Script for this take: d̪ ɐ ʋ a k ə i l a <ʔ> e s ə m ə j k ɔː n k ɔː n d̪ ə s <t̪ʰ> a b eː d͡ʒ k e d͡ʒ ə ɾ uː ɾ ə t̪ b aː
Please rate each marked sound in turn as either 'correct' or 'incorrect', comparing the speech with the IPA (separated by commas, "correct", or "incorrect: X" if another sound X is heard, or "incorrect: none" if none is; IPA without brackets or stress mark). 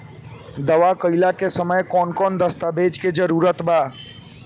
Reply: incorrect: k, incorrect: t̪